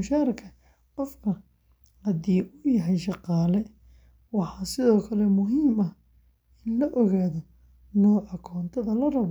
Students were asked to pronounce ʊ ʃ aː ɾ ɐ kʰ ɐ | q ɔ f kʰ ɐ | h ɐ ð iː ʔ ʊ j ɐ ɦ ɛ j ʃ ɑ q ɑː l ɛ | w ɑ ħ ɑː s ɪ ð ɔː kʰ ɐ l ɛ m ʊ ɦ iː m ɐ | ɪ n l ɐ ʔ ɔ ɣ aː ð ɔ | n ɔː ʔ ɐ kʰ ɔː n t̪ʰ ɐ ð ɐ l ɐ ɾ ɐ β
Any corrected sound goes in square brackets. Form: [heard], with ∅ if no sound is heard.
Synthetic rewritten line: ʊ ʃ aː ɾ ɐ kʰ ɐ | q ɔ f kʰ ɐ | h ɐ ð iː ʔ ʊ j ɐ ɦ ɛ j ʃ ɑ q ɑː l ɛ | w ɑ ħ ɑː s ɪ ð ɔː kʰ ɐ l ɛ m ʊ ɦ iː m ɐ | ɪ n l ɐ ʔ ɔ ɣ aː ð ɔ | n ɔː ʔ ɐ kʰ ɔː n t̪ʰ ɐ ð ɐ l ɐ [r] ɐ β

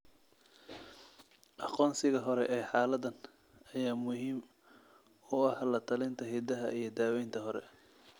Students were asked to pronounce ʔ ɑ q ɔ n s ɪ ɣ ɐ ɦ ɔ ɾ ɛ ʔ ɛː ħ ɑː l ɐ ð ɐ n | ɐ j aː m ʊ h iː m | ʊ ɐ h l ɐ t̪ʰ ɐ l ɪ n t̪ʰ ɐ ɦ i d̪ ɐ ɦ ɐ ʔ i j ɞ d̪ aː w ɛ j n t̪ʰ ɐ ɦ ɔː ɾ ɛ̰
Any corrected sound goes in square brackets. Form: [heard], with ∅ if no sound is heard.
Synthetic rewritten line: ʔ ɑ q [ɔː] n s ɪ ɣ ɐ ɦ ɔ ɾ ɛ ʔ ɛː ħ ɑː l ɐ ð ɐ n | ɐ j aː m ʊ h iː m | ʊ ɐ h l ɐ t̪ʰ ɐ l ɪ n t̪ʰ ɐ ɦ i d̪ ɐ ɦ ɐ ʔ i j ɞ d̪ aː w ɛ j n t̪ʰ ɐ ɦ [ɔ] ɾ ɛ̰

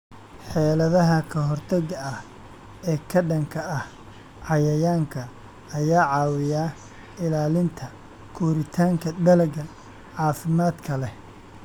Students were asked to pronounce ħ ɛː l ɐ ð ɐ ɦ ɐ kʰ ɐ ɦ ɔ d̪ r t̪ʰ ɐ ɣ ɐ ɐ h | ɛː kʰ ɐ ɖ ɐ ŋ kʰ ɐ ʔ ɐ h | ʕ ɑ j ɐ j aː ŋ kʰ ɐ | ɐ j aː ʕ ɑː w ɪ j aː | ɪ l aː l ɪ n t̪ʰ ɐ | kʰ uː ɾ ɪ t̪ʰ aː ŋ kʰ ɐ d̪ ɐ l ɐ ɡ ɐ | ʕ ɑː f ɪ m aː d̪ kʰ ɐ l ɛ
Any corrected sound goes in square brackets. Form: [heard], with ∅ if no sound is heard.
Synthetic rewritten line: ħ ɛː l ɐ ð ɐ ɦ ɐ kʰ ɐ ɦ ɔ [∅] r t̪ʰ ɐ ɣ ɐ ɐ h | ɛː kʰ ɐ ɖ ɐ ŋ kʰ ɐ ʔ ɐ h | ʕ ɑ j ɐ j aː ŋ kʰ ɐ | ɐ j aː ʕ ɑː w ɪ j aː | ɪ l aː l ɪ n t̪ʰ ɐ | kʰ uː ɾ ɪ t̪ʰ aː ŋ kʰ ɐ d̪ ɐ l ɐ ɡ ɐ | ʕ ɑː f ɪ m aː d̪ kʰ ɐ l ɛ

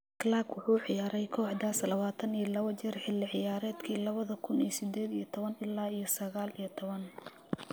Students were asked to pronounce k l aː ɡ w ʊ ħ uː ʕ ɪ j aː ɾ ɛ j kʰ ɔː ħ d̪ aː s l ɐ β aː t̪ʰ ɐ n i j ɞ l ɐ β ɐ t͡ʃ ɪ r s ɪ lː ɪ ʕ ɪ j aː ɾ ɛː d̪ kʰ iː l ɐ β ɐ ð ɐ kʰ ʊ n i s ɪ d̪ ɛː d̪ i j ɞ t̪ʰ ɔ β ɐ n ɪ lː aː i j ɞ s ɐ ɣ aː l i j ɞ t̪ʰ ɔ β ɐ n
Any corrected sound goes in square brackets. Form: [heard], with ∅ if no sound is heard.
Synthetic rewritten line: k l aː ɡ w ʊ ħ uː ʕ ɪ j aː ɾ ɛ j kʰ ɔː ħ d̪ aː s l ɐ β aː t̪ʰ ɐ n i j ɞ l ɐ β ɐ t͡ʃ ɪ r [ħ] ɪ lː ɪ ʕ ɪ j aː ɾ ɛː d̪ kʰ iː l ɐ β ɐ ð ɐ kʰ ʊ n i s ɪ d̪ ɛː d̪ i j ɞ t̪ʰ ɔ β ɐ n ɪ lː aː i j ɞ s ɐ ɣ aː l i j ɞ t̪ʰ ɔ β ɐ n

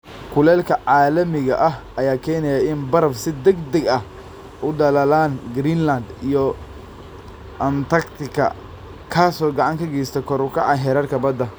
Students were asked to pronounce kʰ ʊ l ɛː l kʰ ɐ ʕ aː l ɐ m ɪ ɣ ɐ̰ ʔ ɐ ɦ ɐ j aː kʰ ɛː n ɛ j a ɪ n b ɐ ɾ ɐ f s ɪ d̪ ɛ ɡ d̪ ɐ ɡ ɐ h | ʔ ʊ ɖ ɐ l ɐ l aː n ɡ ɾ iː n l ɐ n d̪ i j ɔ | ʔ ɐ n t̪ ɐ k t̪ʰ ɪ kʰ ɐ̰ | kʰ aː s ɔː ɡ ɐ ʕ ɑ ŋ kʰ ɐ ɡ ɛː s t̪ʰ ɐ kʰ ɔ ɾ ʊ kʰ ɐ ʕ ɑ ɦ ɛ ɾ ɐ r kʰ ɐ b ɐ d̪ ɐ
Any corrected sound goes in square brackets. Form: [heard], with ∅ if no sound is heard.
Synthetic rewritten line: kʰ ʊ l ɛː l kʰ ɐ ʕ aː l ɐ m ɪ ɣ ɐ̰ ʔ ɐ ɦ ɐ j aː kʰ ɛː n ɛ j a ɪ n b ɐ ɾ ɐ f s ɪ d̪ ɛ ɡ d̪ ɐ ɡ ɐ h | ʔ ʊ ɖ ɐ l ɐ l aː n ɡ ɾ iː n l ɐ n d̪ i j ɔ | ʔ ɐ n t̪ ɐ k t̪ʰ ɪ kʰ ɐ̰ | kʰ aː s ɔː ɡ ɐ ʕ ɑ ŋ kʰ ɐ ɡ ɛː s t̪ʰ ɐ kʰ ɔ ɾ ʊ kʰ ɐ ʕ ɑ ɦ ɛ ɾ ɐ r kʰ ɐ b ɐ d̪ ɐ

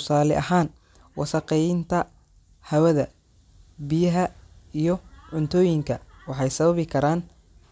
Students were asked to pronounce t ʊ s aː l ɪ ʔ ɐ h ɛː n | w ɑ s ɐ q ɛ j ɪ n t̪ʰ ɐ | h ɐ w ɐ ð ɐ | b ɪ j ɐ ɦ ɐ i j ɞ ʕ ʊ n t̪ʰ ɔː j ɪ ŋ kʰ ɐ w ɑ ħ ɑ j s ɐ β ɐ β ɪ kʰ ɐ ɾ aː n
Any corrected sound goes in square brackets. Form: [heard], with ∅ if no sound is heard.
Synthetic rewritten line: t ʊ s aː l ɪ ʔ ɐ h [aː] n | w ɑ s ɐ q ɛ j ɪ n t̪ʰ ɐ | h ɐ w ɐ ð ɐ | b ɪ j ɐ ɦ ɐ i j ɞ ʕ ʊ n t̪ʰ ɔː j ɪ ŋ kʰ ɐ w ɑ ħ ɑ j s ɐ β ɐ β ɪ kʰ ɐ ɾ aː n

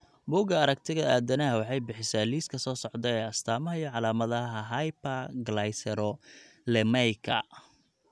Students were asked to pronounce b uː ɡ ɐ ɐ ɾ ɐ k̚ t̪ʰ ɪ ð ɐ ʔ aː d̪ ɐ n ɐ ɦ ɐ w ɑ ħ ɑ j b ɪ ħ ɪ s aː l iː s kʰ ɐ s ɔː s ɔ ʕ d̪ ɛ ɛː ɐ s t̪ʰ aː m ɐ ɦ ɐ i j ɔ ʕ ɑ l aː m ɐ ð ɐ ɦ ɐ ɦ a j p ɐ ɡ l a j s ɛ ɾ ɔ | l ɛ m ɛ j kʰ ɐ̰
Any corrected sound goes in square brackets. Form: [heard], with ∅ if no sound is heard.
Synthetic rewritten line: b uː ɡ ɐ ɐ ɾ ɐ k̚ t̪ʰ ɪ [ɣ] ɐ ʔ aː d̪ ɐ n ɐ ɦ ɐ w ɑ ħ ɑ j b ɪ ħ ɪ s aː l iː s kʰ ɐ s ɔː s ɔ ʕ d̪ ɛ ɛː ɐ s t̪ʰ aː m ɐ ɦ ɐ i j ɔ ʕ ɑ l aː m ɐ ð ɐ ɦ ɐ ɦ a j p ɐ ɡ l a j s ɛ ɾ ɔ | l ɛ m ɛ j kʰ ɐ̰

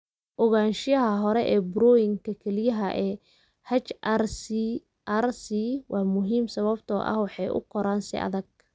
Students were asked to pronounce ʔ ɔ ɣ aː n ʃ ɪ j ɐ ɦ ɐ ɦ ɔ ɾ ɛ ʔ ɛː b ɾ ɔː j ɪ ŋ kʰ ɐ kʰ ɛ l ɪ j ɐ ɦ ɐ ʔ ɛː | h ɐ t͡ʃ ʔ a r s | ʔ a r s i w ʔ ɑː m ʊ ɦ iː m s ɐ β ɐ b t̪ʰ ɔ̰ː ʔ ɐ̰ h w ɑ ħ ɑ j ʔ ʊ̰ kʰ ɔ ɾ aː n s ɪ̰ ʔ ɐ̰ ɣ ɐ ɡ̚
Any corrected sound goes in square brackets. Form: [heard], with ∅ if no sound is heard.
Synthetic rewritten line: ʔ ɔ ɣ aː n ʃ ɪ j ɐ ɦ ɐ ɦ ɔ ɾ ɛ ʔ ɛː b ɾ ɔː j ɪ ŋ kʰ ɐ kʰ ɛ l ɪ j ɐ ɦ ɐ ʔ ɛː | h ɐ t͡ʃ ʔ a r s | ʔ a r s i w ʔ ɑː m ʊ ɦ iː m s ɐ β ɐ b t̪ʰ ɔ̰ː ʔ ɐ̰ h w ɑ ħ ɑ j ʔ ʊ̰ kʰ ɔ ɾ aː n s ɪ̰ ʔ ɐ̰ [ð] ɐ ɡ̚

